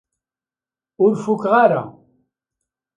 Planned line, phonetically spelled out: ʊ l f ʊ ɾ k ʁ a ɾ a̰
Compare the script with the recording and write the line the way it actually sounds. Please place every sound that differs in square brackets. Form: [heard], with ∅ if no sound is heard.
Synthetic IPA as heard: ʊ [ɾ] f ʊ [∅] k ʁ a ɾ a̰